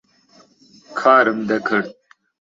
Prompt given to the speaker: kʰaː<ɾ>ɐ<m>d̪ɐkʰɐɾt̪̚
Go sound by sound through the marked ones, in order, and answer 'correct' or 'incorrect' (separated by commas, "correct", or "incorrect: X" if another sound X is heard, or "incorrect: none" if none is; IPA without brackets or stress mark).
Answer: correct, correct